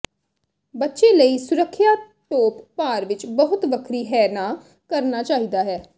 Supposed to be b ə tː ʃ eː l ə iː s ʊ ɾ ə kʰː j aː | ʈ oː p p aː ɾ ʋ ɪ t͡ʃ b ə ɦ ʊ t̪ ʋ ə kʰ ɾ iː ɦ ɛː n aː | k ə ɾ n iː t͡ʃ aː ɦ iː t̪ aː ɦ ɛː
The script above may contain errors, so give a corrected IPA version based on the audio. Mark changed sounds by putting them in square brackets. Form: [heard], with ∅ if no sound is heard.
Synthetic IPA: b ə tː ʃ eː l ə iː s ʊ ɾ ə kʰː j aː | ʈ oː p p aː ɾ ʋ ɪ t͡ʃ b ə ɦ ʊ t̪ ʋ ə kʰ ɾ iː ɦ ɛː n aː | k ə ɾ n [aː] t͡ʃ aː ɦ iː [d̪] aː ɦ ɛː